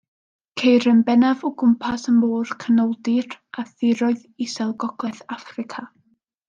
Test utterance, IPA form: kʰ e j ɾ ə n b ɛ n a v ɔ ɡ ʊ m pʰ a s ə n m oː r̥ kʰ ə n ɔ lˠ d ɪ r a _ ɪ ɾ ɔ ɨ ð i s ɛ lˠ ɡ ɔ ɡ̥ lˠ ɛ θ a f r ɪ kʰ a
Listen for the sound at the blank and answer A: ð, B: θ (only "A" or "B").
B